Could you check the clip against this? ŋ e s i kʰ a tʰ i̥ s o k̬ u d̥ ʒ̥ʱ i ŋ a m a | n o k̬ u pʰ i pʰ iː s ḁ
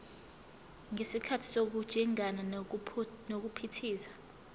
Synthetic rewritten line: ŋ e s i kʰ a tʰ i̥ s o k̬ u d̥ ʒ̥ʱ i ŋ a n a | n o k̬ u pʰ i tʰ iː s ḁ